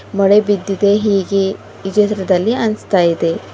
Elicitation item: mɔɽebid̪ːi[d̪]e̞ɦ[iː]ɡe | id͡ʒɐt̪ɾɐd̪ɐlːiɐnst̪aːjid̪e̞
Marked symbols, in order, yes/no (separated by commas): yes, yes